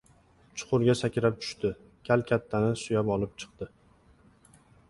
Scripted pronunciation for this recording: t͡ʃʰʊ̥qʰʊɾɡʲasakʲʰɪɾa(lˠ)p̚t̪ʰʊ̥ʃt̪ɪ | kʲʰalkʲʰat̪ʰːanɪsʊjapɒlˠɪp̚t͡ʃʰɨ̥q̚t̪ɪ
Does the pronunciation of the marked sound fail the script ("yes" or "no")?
yes